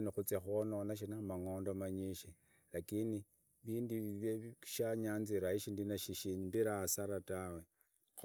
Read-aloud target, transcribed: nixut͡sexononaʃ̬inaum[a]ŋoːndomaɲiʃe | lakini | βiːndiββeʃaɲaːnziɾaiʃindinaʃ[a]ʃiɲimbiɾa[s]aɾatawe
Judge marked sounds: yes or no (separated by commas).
yes, no, yes